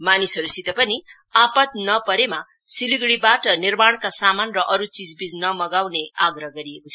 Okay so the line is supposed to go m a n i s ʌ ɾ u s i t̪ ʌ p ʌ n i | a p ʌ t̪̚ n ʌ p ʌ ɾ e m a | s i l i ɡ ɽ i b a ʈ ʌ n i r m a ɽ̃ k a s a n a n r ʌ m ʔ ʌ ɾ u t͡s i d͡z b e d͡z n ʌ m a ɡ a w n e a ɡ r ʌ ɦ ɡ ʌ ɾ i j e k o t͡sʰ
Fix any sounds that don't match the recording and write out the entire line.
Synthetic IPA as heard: m a n i s ʌ ɾ u s i t̪ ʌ p ʌ n i | a p ʌ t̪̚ n ʌ p ʌ ɾ e m a | s i l i ɡ ɽ i b a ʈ ʌ n i r m a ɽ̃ k a s a m a n r ʌ ʔ ʌ ɾ u t͡s i d͡z b i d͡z n ʌ m ʌ ɡ a w n e a ɡ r ʌ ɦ ɡ ʌ ɾ i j e k o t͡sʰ